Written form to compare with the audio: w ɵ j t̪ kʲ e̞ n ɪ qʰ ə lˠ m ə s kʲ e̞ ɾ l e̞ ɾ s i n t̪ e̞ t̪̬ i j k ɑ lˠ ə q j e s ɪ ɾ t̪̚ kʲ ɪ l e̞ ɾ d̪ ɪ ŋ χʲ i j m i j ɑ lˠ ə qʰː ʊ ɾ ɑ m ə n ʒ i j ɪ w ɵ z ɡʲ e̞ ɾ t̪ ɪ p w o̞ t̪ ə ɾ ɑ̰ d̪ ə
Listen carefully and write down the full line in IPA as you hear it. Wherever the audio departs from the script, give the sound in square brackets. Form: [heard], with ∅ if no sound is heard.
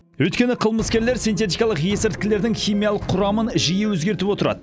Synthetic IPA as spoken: w ɵ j t̪ kʲ e̞ n ɪ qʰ ə lˠ m ə s kʲ e̞ ɾ l e̞ ɾ s i n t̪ e̞ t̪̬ i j k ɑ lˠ ə q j e s ɪ ɾ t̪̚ kʲ ɪ l e̞ ɾ d̪ ɪ ŋ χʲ i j m i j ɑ lˠ ə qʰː ʊ ɾ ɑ m ə n ʒ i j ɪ w ɵ z ɡʲ e̞ ɾ t̪ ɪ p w o̞ t̪ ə ɾ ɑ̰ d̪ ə